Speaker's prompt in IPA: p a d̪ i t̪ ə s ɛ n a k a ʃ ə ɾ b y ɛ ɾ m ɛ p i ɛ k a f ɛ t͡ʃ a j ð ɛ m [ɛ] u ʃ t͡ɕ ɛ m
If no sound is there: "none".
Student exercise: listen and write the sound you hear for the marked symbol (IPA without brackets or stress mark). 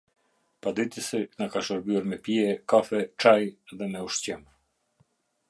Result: ɛ